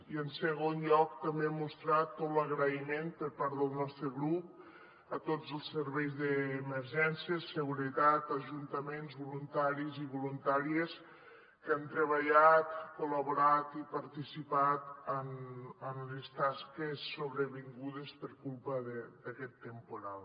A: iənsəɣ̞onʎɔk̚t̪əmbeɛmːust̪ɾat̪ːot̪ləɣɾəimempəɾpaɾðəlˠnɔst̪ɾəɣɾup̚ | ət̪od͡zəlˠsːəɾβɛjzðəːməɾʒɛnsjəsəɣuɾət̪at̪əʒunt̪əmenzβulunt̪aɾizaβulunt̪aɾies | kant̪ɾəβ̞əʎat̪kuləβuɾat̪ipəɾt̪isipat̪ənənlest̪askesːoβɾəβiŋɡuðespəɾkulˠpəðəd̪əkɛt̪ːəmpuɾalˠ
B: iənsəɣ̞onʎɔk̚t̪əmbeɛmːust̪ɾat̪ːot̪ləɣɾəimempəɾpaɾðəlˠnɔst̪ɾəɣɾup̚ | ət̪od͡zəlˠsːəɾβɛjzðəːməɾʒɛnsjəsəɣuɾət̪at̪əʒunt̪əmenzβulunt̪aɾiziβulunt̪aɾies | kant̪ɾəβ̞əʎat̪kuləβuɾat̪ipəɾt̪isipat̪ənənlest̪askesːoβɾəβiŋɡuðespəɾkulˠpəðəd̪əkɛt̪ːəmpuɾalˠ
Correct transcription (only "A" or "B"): B